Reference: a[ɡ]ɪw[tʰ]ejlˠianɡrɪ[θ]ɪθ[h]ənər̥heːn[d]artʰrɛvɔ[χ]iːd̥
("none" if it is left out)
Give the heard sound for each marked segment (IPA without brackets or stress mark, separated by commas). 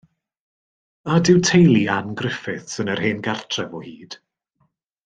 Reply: d, tʰ, f, s, ɡ, h